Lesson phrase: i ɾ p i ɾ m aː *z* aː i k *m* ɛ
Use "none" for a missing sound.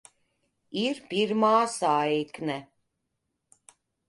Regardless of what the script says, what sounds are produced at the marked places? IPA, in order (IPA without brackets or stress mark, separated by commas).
s, n